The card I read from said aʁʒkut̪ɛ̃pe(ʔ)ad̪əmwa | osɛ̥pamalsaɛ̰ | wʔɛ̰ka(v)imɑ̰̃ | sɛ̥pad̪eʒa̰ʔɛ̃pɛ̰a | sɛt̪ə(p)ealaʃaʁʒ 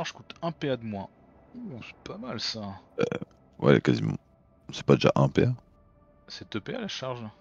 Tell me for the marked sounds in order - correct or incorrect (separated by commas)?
incorrect, incorrect, correct